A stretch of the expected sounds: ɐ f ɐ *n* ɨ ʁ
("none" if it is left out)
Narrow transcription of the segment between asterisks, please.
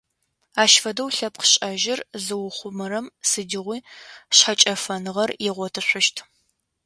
n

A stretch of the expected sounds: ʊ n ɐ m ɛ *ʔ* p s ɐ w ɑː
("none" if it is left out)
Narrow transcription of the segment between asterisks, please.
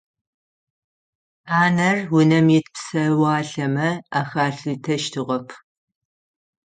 t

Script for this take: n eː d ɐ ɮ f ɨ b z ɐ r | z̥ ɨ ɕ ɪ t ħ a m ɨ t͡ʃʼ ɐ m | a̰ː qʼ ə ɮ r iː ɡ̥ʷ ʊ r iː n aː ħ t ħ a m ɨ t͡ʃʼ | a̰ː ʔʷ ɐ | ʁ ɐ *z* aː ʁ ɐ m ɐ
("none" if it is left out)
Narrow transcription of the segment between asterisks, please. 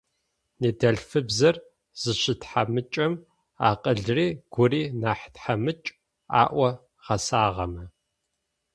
s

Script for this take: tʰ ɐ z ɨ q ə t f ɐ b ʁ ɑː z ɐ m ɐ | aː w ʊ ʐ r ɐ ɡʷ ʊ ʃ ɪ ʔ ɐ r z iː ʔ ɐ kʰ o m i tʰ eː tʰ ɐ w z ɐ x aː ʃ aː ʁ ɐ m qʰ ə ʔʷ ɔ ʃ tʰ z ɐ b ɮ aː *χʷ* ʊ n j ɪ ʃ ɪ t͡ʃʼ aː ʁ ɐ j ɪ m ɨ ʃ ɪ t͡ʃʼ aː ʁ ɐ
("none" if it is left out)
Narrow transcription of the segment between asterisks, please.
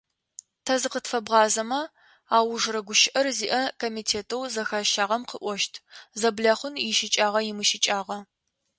χʷ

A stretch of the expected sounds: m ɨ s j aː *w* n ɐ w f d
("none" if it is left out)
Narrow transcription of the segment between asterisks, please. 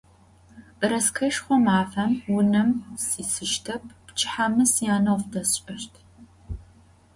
none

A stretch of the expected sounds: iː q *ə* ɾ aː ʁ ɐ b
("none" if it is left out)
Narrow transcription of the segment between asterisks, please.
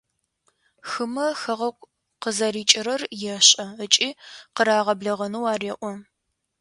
ə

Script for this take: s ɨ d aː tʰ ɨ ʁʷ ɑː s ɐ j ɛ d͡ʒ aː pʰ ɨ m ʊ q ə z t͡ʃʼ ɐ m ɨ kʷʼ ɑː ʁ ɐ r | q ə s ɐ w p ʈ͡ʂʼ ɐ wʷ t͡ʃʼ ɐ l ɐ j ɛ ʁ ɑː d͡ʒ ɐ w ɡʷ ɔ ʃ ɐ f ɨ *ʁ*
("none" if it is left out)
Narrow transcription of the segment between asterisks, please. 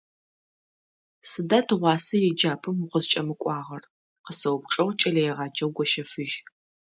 ʒ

